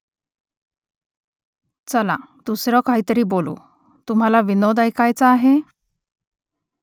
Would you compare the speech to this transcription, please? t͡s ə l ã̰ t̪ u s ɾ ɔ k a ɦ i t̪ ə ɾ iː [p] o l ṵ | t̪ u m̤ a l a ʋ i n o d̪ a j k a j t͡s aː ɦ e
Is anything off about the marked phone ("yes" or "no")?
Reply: yes